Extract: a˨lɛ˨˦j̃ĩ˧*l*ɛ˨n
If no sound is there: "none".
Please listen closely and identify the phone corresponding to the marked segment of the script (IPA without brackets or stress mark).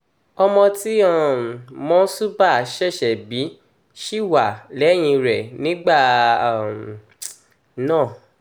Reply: ɾ